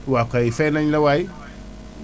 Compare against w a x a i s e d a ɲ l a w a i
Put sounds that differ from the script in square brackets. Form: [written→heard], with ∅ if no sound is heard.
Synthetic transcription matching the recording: w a [x→k] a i [s→f] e [d→n] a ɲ l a w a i